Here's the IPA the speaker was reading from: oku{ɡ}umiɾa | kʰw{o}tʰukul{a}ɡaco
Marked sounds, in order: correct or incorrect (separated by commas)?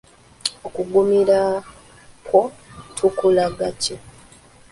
correct, correct, correct